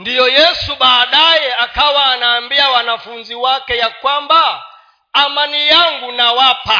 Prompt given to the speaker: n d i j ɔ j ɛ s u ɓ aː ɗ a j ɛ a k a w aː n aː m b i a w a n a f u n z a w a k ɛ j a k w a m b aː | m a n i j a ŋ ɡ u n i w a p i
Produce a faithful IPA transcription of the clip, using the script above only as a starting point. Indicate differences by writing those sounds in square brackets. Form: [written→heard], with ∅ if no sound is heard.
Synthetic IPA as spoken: n d i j ɔ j ɛ s u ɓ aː ɗ a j ɛ a k a w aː n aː m b i a w a n a f u n z [a→i] w a k ɛ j a k w a m b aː | m a n i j a ŋ ɡ u n [i→a] w a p [i→a]